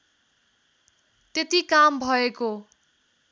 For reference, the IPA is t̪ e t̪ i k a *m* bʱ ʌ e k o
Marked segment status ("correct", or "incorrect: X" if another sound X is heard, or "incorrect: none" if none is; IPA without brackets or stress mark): correct